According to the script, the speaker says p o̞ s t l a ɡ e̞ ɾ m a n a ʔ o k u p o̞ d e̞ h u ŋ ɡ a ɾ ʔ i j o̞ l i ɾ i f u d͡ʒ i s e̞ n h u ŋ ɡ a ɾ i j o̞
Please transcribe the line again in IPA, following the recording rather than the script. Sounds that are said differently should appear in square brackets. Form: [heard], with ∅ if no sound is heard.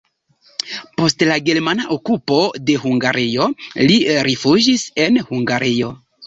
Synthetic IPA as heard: p o̞ s t l a ɡ e̞ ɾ m a n a ʔ o k u p o̞ d e̞ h u ŋ ɡ a ɾ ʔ i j o̞ l i ɾ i f u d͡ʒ i s e̞ n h u ŋ ɡ a ɾ i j o̞